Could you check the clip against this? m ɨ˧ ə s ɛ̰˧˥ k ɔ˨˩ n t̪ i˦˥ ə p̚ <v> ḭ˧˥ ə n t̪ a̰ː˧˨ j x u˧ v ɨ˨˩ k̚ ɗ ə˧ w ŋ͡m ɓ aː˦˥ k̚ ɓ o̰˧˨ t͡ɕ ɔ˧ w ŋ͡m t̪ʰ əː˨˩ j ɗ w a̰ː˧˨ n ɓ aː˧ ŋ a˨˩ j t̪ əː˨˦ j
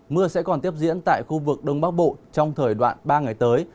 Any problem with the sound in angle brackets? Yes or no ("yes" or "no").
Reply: yes